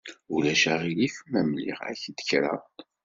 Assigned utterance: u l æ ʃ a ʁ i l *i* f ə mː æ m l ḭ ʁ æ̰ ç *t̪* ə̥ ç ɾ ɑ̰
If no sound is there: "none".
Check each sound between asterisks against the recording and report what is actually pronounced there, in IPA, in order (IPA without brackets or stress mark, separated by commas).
i, d̪